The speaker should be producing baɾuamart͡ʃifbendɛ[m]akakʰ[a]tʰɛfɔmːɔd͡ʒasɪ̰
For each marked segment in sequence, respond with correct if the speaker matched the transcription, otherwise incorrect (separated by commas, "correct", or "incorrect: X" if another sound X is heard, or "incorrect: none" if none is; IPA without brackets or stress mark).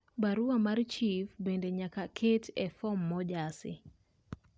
incorrect: ɲ, incorrect: e